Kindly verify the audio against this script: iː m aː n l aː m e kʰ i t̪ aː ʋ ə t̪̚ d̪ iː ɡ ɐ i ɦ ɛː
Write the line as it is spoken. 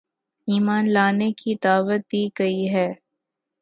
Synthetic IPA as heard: iː m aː n l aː n e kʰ i d̪ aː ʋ ə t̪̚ d̪ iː ɡ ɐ i ɦ ɛː